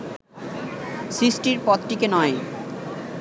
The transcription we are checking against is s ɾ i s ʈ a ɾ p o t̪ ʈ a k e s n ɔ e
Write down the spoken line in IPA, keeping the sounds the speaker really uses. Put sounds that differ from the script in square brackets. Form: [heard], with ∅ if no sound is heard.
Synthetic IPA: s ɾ i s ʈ [i] ɾ p [ɔ] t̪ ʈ [i] k e [∅] n ɔ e